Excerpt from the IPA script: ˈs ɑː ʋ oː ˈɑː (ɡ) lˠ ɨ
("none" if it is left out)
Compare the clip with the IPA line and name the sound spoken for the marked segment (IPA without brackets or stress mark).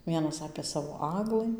ɡ